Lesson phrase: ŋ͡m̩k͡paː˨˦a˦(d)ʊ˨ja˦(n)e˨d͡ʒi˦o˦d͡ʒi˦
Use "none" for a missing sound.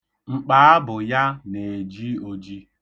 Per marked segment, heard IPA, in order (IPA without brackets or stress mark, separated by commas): b, n